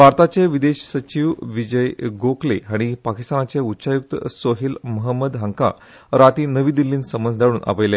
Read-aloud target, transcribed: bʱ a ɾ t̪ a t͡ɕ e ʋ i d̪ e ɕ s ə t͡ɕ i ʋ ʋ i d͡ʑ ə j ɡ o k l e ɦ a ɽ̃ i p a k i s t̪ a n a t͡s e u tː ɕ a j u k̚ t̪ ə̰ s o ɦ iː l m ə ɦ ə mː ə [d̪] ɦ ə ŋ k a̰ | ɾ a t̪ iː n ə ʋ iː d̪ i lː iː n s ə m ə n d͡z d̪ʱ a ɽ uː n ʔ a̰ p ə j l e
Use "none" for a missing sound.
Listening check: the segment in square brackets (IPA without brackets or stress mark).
d̪